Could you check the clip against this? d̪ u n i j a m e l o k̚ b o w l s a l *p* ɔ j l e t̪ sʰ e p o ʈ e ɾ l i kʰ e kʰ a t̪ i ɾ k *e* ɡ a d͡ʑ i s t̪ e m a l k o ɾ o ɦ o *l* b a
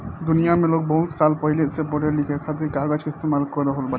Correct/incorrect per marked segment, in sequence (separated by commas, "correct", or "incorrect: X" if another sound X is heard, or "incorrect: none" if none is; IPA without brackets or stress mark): correct, incorrect: a, correct